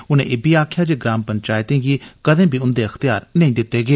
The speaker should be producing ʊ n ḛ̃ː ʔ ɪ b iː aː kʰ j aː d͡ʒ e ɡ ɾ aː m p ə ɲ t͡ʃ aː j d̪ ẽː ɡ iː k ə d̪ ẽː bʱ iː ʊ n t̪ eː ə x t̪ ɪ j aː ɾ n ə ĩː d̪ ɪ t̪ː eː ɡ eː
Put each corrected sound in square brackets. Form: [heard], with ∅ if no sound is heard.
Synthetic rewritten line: ʊ n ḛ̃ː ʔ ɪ b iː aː kʰ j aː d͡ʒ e ɡ ɾ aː m p ə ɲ t͡ʃ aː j [t̪] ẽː ɡ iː k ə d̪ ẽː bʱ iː ʊ n [d̪] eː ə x t̪ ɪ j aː ɾ n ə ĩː d̪ ɪ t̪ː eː ɡ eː